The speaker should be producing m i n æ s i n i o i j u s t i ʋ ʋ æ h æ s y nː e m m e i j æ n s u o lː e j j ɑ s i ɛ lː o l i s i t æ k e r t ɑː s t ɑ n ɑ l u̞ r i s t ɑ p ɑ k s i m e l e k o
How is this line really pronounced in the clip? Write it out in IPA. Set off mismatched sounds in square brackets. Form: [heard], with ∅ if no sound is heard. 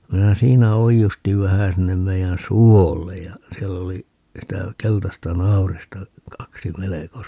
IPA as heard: m i n æ s [iː] n [æ] o i j u s t i ʋ ʋ æ h æ s [i] nː e m m e i j æ n s u o lː e j j ɑ s i ɛ lː o l i s i t æ k e [l] t [ɑ] s t ɑ n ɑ [∅] u̞ r i s t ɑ [k] ɑ k s i m e l e k o